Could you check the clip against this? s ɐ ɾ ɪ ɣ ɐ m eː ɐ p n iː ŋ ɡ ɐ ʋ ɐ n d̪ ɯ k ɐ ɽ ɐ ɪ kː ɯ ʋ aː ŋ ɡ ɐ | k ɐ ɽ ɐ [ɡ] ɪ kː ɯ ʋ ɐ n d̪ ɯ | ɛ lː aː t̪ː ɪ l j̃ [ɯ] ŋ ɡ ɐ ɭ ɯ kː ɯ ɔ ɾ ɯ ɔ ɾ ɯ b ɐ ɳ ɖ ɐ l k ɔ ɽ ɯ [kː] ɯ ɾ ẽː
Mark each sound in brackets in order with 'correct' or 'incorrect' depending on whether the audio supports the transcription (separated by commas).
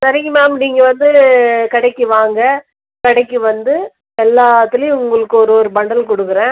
incorrect, incorrect, correct